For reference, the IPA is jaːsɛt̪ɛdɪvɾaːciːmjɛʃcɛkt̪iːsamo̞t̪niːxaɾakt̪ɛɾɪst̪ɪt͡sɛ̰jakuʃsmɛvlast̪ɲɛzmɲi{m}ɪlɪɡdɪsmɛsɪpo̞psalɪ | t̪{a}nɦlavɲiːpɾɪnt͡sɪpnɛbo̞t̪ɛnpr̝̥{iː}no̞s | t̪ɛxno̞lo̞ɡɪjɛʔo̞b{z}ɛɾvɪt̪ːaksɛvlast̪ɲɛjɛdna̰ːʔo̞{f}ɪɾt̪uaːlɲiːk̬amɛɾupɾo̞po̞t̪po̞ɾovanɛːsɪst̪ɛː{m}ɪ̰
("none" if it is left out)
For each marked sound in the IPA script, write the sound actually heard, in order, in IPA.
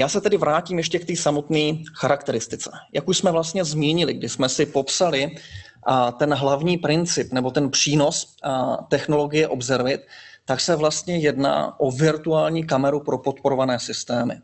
ɲ, ɛ, iː, z, v, m

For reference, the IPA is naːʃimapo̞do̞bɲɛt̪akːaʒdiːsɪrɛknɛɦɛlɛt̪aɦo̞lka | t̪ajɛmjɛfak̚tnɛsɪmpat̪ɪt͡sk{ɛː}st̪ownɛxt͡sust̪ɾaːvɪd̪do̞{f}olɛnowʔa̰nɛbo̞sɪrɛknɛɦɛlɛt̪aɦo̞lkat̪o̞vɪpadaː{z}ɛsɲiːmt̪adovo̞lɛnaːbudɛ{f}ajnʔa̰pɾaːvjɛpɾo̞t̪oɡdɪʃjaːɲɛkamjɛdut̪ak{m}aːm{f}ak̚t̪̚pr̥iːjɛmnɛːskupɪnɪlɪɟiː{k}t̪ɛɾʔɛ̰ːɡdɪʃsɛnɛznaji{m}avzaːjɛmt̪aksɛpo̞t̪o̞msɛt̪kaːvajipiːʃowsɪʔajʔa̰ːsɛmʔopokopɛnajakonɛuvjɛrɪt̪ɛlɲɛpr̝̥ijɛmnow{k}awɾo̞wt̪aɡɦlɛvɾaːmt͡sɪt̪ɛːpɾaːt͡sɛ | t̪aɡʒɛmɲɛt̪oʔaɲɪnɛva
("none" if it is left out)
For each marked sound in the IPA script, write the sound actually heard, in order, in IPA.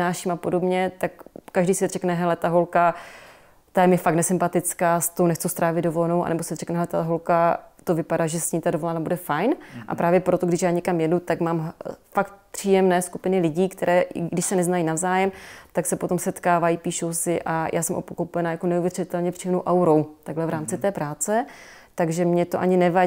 aː, v, ʒ, f, m, f, k, n, ʔ

